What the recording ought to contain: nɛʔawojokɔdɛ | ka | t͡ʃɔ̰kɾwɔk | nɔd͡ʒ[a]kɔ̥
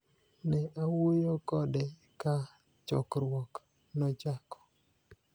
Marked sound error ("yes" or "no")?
no